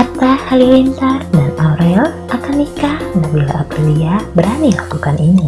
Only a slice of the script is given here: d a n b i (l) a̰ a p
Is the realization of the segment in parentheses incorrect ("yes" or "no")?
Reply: no